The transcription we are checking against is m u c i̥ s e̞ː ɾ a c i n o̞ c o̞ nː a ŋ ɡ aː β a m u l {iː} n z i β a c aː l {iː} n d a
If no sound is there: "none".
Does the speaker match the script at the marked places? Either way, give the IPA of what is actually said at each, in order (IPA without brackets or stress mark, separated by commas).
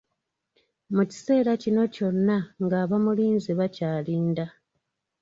iː, iː